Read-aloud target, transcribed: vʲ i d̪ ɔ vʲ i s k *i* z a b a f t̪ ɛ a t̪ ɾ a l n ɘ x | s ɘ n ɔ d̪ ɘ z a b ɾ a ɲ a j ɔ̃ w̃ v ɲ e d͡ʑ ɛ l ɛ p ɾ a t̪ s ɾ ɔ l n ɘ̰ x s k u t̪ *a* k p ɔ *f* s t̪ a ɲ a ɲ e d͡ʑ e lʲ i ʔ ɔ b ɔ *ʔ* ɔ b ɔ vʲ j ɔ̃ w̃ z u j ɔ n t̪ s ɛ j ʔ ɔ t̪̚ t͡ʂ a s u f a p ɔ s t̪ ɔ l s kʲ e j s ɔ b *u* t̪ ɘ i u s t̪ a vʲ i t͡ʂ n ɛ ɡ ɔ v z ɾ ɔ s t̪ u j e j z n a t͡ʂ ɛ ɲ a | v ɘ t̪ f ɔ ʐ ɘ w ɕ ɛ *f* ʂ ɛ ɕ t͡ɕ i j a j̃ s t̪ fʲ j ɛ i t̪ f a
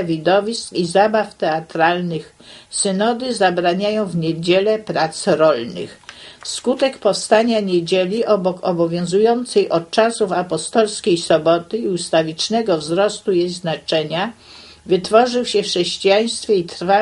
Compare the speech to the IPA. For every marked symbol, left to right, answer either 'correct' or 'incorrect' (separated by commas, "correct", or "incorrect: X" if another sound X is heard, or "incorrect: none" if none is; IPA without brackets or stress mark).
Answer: correct, incorrect: ɛ, correct, incorrect: k, incorrect: ɔ, correct